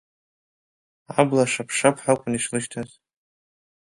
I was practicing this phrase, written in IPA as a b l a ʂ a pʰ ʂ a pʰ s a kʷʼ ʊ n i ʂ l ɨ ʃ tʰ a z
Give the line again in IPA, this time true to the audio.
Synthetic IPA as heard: a b l a ʂ a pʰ ʂ a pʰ ħ a kʷʼ ʊ n i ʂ l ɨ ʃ tʰ a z